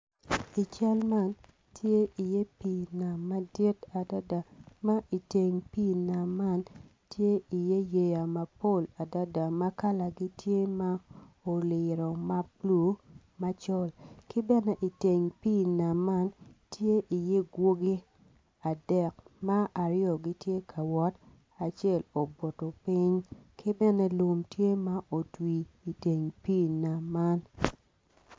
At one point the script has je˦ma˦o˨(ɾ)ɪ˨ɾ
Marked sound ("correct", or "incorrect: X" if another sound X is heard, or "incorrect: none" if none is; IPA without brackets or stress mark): incorrect: l